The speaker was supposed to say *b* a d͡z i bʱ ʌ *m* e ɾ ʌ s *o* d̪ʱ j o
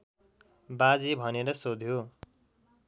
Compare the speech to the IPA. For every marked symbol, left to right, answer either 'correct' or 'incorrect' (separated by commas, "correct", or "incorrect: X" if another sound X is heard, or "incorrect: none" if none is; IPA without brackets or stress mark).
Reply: correct, incorrect: n, correct